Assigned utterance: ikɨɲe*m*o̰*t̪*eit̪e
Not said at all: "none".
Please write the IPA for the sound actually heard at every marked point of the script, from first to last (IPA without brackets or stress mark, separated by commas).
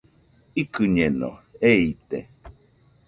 n, none